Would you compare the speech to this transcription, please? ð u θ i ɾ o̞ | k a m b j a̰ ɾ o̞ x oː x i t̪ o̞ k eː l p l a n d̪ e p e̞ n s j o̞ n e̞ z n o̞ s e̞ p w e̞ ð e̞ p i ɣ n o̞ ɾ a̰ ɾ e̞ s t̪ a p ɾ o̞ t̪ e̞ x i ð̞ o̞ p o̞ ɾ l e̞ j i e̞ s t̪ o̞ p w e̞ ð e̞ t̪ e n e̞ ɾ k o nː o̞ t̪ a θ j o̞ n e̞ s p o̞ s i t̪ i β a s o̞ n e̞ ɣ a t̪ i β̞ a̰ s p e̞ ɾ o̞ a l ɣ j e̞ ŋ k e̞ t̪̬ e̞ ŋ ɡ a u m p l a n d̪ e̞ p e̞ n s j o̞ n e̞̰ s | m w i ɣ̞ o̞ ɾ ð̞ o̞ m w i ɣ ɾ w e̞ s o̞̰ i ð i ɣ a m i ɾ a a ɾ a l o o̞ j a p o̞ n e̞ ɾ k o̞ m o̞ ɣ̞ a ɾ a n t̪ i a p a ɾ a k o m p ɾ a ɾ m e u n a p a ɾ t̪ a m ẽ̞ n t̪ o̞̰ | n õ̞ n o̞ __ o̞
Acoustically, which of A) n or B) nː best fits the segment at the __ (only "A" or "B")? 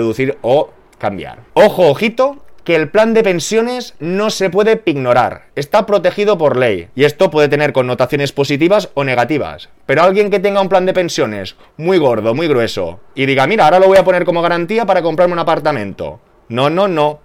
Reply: A